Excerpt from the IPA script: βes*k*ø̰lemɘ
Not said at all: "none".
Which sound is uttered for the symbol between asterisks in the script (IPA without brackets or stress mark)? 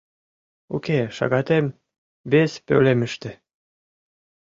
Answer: p